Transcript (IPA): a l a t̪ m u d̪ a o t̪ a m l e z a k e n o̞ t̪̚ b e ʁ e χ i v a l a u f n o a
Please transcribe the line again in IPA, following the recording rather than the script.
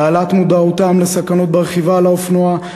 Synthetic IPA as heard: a l a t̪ m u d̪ a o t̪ a m l e s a k a n o̞ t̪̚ b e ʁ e χ i v a l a o f n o a